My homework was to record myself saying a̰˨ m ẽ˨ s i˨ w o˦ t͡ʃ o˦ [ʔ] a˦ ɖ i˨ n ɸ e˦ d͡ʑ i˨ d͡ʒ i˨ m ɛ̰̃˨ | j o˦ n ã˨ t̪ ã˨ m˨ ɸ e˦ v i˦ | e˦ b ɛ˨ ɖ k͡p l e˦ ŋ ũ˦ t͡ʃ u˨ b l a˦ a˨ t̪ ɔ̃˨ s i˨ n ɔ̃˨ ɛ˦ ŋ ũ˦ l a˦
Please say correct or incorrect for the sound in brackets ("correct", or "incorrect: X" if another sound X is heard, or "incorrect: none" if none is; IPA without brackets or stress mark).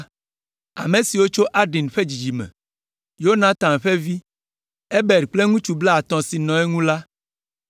correct